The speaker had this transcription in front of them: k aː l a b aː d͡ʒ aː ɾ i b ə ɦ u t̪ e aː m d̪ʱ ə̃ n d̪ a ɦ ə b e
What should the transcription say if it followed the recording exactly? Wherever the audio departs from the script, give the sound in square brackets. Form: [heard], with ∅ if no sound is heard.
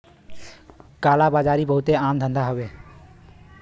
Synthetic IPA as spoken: k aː l a b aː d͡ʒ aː ɾ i b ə ɦ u t̪ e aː m d̪ʱ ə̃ n d̪ a ɦ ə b e